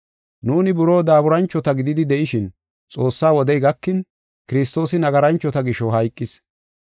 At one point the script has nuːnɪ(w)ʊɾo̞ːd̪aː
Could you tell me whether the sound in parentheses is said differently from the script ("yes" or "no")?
yes